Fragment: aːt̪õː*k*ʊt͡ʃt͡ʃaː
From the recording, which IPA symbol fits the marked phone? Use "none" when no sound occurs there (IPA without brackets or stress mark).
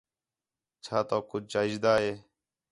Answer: k